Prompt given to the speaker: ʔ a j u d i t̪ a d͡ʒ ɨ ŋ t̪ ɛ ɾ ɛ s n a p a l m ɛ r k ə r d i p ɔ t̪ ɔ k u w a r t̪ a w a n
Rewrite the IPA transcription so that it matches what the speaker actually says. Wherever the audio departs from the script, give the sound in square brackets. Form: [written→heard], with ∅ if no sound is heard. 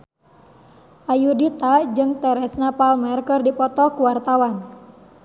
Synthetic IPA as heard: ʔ a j u d i t̪ a d͡ʒ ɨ ŋ t̪ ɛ ɾ ɛ s n a p a l m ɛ r k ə r d i p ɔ t̪ ɔ k u w a r t̪ a w a n